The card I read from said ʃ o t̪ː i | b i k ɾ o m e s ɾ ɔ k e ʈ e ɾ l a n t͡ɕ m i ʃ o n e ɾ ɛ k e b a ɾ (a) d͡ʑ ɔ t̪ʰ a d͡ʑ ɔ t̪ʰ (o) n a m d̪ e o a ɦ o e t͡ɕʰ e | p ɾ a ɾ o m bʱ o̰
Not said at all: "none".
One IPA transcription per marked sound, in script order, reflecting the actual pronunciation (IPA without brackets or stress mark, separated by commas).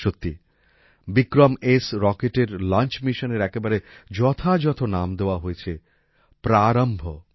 e, o